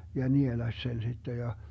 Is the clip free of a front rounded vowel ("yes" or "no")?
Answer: yes